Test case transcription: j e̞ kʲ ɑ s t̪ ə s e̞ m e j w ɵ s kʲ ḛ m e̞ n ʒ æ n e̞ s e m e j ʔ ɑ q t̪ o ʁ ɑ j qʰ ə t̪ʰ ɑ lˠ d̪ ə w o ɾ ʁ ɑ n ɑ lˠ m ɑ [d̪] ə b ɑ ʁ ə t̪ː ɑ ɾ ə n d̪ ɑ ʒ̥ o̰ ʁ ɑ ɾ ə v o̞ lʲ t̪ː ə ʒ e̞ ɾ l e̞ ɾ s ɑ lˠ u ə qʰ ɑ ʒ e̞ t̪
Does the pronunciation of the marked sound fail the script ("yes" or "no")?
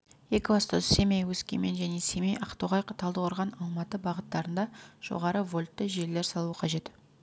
yes